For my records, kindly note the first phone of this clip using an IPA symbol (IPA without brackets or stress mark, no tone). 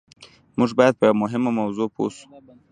m